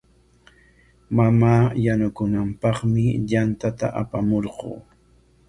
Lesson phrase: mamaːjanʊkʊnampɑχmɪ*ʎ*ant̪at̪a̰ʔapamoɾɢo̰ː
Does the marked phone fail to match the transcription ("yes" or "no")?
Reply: no